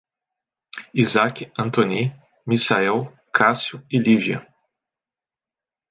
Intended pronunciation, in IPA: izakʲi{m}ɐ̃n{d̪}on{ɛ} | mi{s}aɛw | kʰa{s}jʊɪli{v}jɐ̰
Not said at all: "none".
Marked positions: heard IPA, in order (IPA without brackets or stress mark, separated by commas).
none, t̪, i, s, s, v